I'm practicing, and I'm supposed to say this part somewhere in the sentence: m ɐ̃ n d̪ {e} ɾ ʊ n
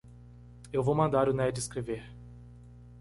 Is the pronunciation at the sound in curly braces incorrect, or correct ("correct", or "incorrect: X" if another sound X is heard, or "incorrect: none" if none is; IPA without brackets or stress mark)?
incorrect: a